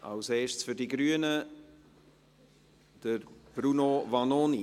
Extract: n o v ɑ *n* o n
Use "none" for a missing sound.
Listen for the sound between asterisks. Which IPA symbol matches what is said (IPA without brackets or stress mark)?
n